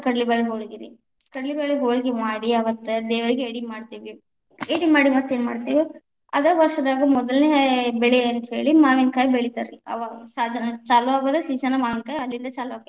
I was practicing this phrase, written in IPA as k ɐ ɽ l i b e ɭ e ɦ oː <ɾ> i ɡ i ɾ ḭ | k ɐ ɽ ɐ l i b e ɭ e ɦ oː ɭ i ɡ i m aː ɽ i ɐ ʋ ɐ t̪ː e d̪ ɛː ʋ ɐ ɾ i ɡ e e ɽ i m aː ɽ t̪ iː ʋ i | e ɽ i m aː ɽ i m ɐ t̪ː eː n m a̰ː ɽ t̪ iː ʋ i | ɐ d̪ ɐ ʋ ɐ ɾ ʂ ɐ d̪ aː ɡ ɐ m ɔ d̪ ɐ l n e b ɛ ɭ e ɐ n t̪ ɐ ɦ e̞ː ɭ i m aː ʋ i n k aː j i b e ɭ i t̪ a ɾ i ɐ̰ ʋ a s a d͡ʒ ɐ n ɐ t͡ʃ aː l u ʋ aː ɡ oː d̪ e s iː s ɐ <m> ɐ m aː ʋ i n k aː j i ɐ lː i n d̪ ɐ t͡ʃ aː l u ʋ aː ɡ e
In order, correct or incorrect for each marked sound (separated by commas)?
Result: incorrect, incorrect